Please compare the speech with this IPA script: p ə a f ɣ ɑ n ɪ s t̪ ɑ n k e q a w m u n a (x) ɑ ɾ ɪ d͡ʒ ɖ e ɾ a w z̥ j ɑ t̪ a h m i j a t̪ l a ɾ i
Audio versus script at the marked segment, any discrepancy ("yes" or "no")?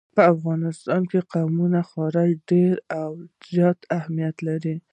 no